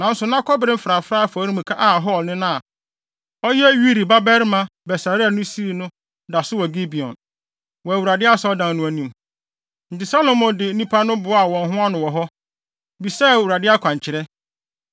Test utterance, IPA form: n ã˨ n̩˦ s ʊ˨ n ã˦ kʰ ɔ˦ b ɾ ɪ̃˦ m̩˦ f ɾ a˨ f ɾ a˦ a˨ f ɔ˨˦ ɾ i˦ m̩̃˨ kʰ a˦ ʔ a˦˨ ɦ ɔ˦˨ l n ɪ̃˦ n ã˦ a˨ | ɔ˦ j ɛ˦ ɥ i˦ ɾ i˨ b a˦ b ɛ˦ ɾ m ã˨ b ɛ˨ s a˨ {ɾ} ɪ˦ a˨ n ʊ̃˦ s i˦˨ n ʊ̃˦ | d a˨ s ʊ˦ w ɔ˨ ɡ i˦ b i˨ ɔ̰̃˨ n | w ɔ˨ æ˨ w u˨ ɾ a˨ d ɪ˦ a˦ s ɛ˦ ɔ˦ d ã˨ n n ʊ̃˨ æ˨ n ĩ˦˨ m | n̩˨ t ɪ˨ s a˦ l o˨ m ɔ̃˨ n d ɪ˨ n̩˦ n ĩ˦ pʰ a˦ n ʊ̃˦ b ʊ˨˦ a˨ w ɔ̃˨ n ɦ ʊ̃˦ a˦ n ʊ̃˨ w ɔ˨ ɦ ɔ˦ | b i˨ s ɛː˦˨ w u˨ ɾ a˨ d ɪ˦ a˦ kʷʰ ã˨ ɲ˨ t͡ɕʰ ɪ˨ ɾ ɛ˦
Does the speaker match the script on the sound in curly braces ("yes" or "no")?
yes